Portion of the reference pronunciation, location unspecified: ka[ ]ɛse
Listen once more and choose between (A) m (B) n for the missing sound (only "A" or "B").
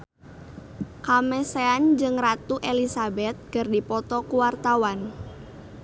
A